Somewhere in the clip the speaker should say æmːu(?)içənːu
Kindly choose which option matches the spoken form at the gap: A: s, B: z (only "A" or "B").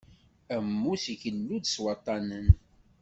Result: A